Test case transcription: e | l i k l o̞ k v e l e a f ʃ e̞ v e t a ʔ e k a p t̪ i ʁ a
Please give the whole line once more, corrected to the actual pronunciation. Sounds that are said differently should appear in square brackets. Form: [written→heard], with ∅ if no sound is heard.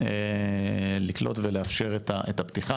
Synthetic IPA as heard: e | l i k l o̞ [k→t] v e l e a f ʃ e̞ [v→ʁ] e t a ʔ e [k→t] a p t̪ i [ʁ→χ] a